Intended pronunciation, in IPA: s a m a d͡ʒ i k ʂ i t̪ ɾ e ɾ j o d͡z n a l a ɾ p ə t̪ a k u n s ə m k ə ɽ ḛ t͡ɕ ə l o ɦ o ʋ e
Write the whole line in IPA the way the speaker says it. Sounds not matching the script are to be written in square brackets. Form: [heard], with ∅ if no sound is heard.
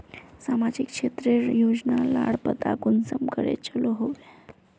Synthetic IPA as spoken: s a m a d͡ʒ i k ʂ [e] t̪ ɾ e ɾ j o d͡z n a l a [ɽ] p ə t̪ a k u n s ə m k ə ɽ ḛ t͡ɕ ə l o ɦ o ʋ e